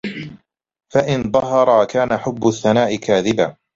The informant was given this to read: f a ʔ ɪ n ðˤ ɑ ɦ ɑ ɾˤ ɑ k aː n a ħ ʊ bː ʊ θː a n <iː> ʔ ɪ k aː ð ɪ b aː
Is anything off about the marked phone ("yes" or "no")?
yes